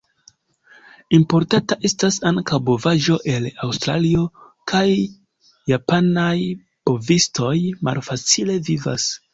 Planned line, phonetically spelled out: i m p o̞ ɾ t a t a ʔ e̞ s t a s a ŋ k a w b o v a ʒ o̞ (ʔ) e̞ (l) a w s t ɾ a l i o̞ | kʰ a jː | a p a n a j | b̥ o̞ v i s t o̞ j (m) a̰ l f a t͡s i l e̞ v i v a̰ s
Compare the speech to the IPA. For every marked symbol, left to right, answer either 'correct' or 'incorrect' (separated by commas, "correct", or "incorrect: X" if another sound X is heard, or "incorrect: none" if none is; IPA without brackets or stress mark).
correct, correct, correct